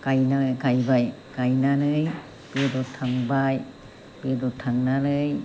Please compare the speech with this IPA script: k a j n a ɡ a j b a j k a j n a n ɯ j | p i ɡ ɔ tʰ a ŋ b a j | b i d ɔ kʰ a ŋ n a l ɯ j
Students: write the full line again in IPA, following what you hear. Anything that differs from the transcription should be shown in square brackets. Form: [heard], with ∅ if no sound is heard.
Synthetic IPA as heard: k a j n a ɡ a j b a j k a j n a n ɯ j | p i [d] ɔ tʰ a ŋ b a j | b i d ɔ [tʰ] a ŋ n a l ɯ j